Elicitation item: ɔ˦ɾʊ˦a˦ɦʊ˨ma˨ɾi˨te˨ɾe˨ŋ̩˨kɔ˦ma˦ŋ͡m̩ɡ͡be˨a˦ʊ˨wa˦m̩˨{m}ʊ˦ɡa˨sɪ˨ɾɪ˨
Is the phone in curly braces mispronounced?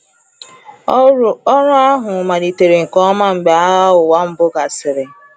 yes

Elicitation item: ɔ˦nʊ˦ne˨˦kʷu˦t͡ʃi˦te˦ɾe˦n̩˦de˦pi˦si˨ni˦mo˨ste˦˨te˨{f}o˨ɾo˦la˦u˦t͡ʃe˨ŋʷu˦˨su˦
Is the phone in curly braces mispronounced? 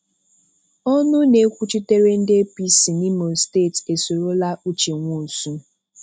yes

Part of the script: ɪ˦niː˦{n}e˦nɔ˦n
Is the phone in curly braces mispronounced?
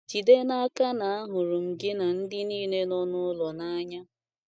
no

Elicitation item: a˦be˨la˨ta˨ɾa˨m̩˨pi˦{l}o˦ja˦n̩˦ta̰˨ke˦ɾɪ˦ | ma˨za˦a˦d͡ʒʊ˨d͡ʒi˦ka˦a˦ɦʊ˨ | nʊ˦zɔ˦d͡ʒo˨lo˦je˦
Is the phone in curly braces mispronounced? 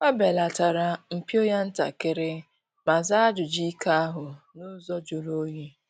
yes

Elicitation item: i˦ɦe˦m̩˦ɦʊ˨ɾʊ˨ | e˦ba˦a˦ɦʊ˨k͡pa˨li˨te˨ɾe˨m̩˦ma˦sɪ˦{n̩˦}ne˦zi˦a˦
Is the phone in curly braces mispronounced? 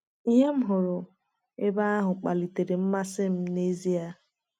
yes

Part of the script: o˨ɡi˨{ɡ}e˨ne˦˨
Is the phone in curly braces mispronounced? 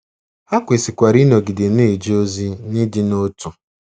yes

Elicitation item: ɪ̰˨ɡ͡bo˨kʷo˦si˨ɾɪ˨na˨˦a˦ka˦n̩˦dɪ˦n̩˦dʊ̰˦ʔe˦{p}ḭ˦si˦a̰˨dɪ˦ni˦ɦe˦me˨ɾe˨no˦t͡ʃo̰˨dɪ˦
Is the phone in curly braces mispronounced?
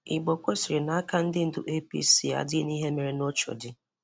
no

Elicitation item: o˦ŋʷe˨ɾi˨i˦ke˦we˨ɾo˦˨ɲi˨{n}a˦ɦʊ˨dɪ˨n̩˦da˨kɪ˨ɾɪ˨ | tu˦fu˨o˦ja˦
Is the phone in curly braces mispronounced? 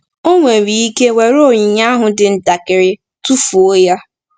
yes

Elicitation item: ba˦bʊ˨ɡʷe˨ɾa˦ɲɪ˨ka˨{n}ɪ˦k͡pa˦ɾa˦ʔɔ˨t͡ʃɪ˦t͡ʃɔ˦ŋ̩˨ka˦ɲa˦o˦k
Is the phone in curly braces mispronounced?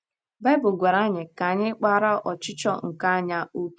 yes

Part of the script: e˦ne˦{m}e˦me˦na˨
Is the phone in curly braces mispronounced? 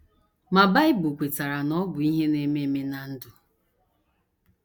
no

